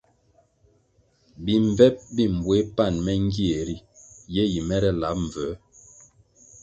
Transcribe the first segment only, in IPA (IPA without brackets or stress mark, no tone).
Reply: b